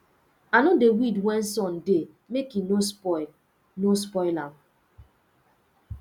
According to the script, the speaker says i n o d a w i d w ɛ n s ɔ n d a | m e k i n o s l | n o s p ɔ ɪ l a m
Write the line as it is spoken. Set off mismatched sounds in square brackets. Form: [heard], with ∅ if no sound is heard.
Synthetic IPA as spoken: [a] n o d [e] w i d w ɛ n s ɔ n d [e] | m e k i n o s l | n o s p ɔ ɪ l a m